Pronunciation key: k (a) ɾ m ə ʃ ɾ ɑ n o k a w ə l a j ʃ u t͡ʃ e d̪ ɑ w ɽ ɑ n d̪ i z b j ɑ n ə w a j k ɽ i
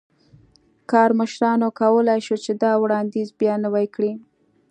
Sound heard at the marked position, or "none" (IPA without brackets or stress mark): ɑ